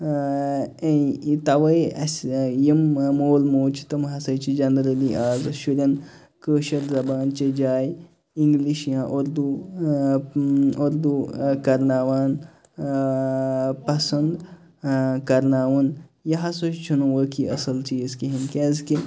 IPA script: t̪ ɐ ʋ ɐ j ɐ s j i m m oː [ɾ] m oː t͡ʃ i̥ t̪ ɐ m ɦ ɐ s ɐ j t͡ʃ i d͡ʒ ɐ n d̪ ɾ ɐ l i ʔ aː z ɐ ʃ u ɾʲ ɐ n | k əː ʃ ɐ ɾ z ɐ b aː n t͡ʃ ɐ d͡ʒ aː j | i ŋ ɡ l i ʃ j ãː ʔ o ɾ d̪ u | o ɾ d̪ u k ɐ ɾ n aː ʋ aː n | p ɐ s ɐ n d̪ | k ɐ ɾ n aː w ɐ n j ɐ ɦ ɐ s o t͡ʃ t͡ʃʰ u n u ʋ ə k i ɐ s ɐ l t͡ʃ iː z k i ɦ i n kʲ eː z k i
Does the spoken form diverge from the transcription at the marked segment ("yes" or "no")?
yes